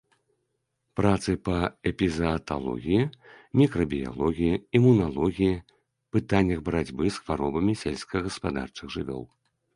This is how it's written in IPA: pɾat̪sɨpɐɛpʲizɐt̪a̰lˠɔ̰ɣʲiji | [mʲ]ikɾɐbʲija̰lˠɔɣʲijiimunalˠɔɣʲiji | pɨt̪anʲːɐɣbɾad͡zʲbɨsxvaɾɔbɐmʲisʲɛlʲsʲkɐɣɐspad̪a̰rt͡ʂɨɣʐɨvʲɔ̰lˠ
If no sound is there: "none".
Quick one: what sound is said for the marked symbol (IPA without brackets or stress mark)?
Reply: mʲ